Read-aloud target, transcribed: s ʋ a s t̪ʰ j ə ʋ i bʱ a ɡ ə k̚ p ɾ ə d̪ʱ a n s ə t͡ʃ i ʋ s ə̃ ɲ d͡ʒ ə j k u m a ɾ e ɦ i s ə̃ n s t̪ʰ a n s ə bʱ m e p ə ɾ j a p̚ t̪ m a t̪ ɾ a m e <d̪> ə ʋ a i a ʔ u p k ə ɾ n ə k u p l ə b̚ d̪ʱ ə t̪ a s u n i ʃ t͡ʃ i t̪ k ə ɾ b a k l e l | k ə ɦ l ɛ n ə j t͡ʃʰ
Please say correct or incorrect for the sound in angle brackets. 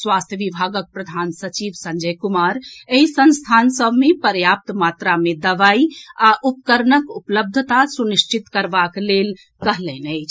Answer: correct